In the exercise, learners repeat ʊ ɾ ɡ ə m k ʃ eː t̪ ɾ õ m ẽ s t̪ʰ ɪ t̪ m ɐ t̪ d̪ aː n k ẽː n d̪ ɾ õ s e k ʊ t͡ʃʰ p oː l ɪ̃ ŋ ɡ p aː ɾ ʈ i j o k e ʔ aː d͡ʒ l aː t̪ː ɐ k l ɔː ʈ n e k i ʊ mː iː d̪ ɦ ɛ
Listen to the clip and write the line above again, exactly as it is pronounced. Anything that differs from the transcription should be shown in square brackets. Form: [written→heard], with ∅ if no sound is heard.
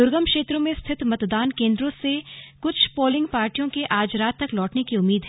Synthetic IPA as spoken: ʊ ɾ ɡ ə m k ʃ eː t̪ ɾ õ m ẽ s t̪ʰ ɪ t̪ m ɐ t̪ d̪ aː n k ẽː n d̪ ɾ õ s e k ʊ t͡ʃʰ p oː l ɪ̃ ŋ ɡ p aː ɾ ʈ i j [o→õ] k e ʔ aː d͡ʒ [l→ɾ] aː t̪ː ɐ k l ɔː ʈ n e k i ʊ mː iː d̪ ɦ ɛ